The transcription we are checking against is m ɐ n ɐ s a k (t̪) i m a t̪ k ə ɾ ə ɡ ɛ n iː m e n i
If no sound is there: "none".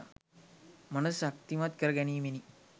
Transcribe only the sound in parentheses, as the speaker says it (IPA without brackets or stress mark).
t̪